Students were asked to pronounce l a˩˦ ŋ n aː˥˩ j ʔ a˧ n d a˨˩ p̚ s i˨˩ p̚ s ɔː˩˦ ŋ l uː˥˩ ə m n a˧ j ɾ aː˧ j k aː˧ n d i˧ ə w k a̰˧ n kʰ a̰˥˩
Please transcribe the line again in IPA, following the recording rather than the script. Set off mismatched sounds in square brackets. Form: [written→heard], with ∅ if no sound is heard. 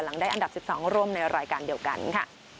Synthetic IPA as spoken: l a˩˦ ŋ [n→d] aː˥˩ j ʔ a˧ n d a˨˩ p̚ s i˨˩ p̚ s ɔː˩˦ ŋ [l→ɾ] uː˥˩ ə m n a˧ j ɾ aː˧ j k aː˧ n d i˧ ə w k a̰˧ n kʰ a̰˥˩

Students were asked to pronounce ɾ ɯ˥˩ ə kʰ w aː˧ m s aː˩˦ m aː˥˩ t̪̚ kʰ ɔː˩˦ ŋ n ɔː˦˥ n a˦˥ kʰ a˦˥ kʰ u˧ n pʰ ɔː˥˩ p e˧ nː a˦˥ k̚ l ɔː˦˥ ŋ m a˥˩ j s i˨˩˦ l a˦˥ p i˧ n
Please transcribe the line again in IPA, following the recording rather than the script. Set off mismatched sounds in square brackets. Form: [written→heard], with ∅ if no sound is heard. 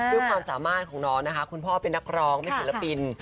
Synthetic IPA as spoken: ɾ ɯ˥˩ ə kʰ w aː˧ m s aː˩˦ m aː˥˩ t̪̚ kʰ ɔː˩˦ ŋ n ɔː˦˥ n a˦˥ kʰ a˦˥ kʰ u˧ n pʰ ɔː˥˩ p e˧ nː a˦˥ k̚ [l→ɾ] ɔː˦˥ ŋ m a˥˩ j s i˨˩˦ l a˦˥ p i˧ n

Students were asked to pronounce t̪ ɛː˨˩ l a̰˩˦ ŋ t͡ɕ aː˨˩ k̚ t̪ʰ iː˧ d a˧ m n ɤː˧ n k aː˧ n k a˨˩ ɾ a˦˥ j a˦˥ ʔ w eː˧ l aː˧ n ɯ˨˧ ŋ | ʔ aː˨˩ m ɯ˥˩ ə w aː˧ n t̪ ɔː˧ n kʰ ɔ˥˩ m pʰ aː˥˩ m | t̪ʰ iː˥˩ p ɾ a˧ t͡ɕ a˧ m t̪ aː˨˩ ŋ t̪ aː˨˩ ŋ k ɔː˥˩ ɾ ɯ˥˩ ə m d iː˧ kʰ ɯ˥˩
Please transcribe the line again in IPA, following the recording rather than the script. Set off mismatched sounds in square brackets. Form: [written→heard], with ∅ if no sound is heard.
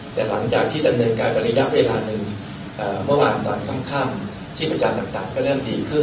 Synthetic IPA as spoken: t̪ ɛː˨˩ l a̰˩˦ ŋ t͡ɕ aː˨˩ k̚ t̪ʰ [iː˧→iː˥˩] d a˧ m n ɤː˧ n k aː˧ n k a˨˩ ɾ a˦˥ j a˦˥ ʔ w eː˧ l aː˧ n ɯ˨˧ ŋ | ʔ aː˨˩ m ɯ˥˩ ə w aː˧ n t̪ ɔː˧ n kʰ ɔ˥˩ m [pʰ→kʰ] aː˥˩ m | t̪ʰ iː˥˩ p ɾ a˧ t͡ɕ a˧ m t̪ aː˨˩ ŋ t̪ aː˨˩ ŋ k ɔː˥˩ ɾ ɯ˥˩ ə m d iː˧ kʰ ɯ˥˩

